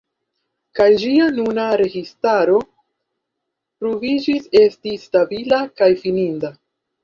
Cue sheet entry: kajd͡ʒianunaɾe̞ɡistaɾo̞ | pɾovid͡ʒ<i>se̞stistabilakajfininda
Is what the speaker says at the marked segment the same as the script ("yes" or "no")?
yes